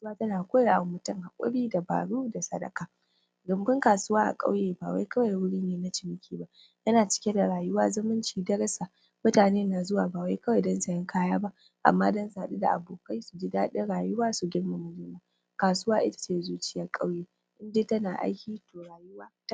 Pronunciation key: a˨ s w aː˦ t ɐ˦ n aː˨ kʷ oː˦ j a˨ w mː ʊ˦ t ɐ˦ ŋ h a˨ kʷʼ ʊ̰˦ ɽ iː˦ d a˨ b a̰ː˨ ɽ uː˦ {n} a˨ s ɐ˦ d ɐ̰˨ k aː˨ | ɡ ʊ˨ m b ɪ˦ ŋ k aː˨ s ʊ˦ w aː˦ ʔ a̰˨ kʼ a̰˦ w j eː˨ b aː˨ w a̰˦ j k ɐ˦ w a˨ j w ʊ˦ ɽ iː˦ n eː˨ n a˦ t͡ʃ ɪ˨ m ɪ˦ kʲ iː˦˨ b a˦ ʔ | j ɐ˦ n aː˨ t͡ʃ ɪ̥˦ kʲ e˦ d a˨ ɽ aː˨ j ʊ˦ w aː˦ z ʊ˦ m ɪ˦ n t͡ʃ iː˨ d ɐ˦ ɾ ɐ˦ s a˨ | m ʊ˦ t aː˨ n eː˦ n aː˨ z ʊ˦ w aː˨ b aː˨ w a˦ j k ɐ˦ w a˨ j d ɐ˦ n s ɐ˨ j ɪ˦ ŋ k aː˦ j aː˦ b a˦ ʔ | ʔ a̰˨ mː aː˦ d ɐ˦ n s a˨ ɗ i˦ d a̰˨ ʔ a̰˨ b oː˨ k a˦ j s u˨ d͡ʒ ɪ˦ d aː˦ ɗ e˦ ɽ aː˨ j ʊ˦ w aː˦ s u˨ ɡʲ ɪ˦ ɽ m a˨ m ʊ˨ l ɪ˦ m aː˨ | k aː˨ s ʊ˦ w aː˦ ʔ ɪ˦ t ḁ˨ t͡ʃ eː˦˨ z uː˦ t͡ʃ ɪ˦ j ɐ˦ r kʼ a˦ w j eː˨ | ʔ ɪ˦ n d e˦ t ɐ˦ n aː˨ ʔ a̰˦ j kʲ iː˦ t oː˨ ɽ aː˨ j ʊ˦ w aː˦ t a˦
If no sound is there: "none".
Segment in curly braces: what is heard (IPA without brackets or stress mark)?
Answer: d